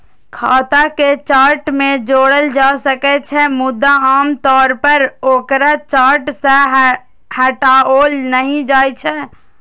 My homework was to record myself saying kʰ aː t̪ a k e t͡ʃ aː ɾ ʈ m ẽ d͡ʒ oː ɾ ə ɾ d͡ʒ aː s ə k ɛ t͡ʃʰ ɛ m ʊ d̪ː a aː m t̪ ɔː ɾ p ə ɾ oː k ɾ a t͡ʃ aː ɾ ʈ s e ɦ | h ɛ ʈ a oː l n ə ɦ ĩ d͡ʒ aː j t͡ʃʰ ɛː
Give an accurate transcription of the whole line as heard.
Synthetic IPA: kʰ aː t̪ a k e t͡ʃ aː ɾ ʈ m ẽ d͡ʒ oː ɽ ə l d͡ʒ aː s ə k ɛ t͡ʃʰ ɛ m ʊ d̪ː a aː m t̪ ɔː ɾ p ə ɾ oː k ɾ a t͡ʃ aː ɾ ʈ s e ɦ | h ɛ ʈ a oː l n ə ɦ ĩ d͡ʒ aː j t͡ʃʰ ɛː